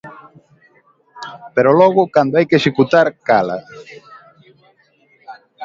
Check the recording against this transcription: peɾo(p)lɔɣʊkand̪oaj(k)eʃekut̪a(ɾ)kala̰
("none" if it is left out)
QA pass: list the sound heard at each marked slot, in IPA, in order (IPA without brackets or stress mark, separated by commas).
none, k, ɾ